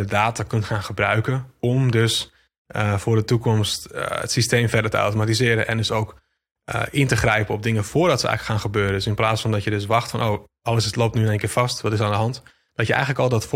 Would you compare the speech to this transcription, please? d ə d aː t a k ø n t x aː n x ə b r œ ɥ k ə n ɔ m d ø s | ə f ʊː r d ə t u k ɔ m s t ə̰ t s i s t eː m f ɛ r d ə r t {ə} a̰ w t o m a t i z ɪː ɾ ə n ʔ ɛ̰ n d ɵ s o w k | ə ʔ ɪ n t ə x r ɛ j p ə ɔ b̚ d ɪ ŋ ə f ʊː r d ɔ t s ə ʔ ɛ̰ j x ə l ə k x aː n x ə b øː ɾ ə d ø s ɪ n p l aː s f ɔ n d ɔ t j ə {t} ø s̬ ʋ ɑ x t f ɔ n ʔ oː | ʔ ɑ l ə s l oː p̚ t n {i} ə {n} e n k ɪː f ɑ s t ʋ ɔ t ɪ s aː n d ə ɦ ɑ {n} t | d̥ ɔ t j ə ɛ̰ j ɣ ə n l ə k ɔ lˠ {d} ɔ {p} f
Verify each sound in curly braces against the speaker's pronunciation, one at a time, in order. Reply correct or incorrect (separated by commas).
correct, incorrect, incorrect, correct, correct, correct, incorrect